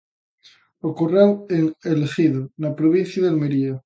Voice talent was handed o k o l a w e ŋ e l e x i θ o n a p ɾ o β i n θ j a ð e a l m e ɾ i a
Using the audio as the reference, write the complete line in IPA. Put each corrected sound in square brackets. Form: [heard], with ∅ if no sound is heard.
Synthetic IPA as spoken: o k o [r] a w e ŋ e l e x i [ð] o n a p ɾ o β i n θ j a ð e a l m e ɾ i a